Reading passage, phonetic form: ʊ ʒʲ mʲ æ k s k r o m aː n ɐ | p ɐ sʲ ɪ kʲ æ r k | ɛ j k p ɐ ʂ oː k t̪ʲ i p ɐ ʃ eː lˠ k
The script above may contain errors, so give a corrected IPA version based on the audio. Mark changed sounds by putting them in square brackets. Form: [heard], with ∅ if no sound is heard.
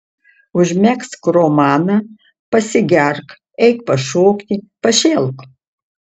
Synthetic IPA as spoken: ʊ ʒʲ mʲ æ k s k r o m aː n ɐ | p ɐ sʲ ɪ [ɡʲ] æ r k | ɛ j k p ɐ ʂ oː k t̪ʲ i p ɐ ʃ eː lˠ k